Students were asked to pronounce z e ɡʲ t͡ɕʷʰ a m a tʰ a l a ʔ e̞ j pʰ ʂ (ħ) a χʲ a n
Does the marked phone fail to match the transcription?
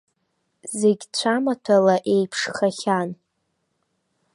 yes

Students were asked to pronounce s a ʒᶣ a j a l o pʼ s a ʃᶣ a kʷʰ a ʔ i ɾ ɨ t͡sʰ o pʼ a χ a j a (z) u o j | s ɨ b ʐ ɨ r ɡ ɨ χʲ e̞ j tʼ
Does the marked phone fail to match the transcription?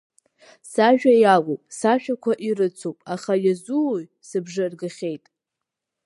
no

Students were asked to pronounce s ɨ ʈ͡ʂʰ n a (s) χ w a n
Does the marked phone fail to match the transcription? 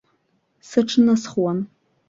no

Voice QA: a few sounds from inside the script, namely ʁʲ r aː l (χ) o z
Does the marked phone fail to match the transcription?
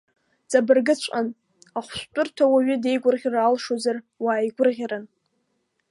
yes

